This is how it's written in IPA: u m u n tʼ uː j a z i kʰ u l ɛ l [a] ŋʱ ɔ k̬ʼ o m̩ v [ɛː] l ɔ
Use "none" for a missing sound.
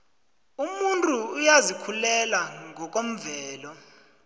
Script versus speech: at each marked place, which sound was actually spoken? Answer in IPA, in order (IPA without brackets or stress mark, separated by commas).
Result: a, ɛː